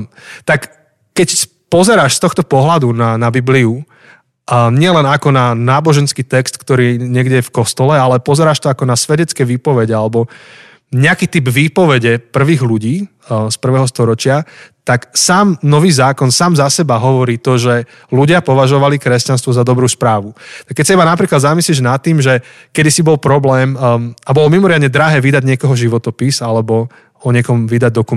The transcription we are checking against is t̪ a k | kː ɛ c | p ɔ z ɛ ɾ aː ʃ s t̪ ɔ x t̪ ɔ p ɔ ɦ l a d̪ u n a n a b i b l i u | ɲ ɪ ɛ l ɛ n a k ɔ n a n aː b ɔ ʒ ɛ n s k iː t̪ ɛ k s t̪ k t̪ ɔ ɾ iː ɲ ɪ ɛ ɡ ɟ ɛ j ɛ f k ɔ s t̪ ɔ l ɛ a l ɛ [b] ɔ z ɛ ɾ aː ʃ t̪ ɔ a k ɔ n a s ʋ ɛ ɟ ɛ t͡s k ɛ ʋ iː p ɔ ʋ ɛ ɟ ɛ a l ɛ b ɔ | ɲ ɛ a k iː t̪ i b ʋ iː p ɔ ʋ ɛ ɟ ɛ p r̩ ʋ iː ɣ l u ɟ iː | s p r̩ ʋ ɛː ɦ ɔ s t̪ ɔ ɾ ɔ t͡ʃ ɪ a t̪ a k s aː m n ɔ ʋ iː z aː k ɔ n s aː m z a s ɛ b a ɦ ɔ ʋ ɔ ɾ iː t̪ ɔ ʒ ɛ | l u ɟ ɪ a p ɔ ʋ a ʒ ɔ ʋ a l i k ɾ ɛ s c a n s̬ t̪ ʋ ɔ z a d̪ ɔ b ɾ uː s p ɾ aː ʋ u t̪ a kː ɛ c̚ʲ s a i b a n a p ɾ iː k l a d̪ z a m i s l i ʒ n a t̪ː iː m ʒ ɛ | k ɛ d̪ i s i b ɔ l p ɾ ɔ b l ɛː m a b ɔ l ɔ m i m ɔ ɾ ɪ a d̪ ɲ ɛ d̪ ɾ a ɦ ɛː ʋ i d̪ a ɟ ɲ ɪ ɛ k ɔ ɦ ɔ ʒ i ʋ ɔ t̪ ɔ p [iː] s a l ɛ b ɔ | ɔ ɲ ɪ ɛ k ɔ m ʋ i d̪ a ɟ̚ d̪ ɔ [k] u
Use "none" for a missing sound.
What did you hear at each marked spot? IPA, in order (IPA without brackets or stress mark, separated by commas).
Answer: p, i, k